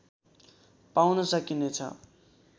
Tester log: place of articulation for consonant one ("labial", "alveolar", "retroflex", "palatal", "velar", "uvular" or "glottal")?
labial